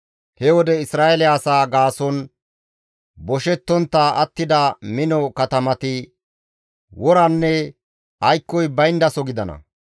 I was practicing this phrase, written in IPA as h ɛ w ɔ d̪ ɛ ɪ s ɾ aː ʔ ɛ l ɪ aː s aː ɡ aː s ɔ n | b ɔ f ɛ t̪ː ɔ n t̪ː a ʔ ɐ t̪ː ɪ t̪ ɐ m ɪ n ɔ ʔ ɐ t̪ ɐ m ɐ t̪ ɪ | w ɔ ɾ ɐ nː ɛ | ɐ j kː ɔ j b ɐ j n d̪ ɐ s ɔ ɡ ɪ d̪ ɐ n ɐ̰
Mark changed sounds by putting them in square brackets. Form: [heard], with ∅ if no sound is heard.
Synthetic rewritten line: h ɛ w ɔ d̪ ɛ ɪ s ɾ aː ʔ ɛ l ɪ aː s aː ɡ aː s ɔ n | b ɔ [ʃ] ɛ t̪ː ɔ n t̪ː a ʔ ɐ t̪ː ɪ [d̪] ɐ m ɪ n ɔ [k] ɐ t̪ ɐ m ɐ t̪ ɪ | w ɔ ɾ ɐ nː ɛ | ɐ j kː ɔ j b ɐ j n d̪ ɐ s ɔ ɡ ɪ d̪ ɐ n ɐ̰